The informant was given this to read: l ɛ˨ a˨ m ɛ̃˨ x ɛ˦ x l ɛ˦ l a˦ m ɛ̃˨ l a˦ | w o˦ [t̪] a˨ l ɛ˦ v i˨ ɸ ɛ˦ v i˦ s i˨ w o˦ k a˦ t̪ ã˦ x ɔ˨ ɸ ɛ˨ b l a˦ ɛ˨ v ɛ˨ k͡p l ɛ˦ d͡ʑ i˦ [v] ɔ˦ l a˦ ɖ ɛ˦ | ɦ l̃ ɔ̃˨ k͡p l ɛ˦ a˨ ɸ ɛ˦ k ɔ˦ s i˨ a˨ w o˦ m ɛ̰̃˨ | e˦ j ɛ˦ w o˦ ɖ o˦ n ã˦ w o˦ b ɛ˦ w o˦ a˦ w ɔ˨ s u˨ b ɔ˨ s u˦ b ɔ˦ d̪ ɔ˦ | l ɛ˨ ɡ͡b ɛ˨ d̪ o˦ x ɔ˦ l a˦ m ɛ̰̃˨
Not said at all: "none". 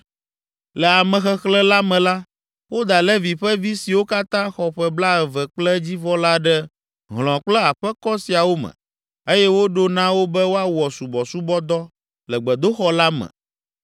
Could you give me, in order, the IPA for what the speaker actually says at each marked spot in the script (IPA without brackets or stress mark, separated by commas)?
d̪, v